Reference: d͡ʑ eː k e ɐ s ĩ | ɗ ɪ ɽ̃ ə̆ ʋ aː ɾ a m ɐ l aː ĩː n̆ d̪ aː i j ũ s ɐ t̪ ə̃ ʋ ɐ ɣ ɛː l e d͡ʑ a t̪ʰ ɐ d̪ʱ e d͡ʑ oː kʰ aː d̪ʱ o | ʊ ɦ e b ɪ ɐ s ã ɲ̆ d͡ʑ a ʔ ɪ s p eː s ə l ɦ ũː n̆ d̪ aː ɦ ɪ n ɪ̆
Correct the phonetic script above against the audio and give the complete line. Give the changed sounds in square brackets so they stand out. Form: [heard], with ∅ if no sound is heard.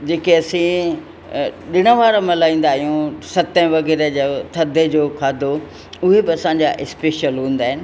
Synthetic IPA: d͡ʑ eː k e ɐ s ĩ | ɗ ɪ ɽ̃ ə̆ ʋ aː ɾ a m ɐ l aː ĩː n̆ d̪ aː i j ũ s ɐ t̪ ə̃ ʋ ɐ ɣ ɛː [ɾ] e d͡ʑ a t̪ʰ ɐ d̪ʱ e d͡ʑ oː kʰ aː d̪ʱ o | ʊ ɦ e b ɪ ɐ s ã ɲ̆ d͡ʑ a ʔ ɪ s p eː [ʃ] ə l ɦ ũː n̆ d̪ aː ɦ ɪ n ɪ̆

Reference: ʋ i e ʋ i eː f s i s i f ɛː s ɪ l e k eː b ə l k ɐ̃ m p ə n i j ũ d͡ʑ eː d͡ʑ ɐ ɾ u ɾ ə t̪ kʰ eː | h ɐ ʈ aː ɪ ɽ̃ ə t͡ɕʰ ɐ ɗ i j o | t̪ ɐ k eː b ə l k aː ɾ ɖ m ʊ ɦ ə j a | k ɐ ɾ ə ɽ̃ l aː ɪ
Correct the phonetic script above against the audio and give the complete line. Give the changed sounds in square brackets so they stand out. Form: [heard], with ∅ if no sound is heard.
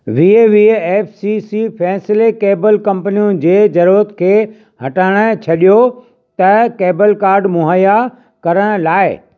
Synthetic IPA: ʋ i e ʋ i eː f s i s i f ɛː s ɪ l e k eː b ə l k ɐ̃ m p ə n i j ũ d͡ʑ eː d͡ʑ ɐ ɾ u ɾ ə t̪ kʰ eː | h ɐ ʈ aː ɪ ɽ̃ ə t͡ɕʰ ɐ ɗ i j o | t̪ ɐ k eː b ə l k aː ɾ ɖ m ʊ ɦ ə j a | k ɐ ɾ ə ɽ̃ l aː ɪ

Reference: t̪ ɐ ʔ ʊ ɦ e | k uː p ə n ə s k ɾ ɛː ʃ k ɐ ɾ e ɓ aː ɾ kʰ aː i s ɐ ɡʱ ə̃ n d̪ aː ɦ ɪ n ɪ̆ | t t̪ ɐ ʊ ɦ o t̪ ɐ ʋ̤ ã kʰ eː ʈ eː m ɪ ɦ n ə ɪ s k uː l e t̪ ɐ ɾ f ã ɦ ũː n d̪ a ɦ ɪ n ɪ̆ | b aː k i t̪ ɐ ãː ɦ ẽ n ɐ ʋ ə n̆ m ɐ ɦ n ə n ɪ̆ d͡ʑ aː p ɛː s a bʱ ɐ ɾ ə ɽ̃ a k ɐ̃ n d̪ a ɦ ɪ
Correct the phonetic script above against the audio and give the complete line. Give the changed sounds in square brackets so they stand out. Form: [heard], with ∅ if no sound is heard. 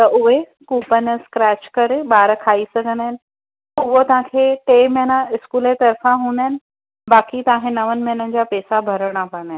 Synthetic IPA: t̪ ɐ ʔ ʊ ɦ e | k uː p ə n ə s k ɾ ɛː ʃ k ɐ ɾ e ɓ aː ɾ kʰ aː i s ɐ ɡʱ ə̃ n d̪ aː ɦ ɪ n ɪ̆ | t t̪ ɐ ʊ ɦ o t̪ ɐ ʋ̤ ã kʰ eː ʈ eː m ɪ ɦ n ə ɪ s k uː l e t̪ ɐ ɾ f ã ɦ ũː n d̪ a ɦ ɪ n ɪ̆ | b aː k i t̪ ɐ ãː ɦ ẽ n ɐ ʋ ə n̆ m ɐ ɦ n ə n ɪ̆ d͡ʑ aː p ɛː s a bʱ ɐ ɾ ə ɽ̃ a [p] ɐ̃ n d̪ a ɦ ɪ

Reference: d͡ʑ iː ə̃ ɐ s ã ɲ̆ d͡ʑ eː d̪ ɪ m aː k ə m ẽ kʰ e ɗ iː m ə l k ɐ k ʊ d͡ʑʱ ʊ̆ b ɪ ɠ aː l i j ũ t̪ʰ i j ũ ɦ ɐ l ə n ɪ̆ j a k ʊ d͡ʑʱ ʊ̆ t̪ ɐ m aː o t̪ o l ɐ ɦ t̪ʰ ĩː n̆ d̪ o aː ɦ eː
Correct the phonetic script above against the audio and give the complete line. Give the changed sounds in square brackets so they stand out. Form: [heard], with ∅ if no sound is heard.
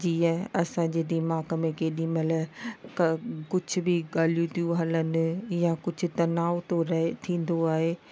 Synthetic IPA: d͡ʑ iː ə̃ ɐ s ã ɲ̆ d͡ʑ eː d̪ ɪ m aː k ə m ẽ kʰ e ɗ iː m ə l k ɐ k ʊ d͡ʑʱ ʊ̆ b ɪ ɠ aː l i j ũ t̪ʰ i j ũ ɦ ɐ l ə n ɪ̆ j a k ʊ d͡ʑʱ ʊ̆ t̪ ɐ [n] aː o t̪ o [ɾ] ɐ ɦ t̪ʰ ĩː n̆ d̪ o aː ɦ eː

